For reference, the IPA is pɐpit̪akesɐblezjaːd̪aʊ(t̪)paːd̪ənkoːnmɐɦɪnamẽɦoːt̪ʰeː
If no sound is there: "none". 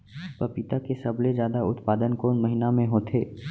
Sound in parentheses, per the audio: t̪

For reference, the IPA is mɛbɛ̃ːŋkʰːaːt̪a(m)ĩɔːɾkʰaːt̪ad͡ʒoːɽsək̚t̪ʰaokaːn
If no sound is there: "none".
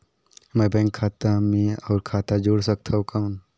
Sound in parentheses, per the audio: m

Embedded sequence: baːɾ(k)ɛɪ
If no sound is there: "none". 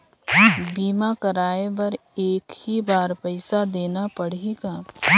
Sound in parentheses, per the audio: p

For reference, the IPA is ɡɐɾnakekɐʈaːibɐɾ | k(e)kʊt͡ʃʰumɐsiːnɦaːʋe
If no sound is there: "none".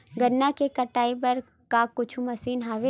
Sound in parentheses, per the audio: a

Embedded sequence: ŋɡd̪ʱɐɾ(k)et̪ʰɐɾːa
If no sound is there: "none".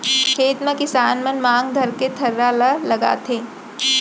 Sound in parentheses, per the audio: k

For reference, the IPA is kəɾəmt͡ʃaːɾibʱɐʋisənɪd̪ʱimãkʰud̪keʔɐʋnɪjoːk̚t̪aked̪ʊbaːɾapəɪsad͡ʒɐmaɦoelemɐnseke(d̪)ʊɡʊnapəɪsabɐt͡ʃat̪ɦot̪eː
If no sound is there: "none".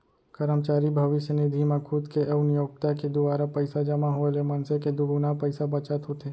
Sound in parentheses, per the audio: d̪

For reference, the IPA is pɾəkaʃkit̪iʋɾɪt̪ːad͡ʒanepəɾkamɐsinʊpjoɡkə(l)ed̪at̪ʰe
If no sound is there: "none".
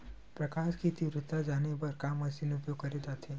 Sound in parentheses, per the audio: ɾ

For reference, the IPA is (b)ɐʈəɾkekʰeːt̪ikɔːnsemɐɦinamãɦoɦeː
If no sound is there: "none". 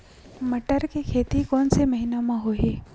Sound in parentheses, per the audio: m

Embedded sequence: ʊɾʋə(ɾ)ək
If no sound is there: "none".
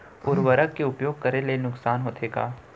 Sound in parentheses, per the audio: ɾ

